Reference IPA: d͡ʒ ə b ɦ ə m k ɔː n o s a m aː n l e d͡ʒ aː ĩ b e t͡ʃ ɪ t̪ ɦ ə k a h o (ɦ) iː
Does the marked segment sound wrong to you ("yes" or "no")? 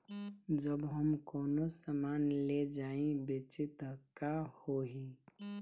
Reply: no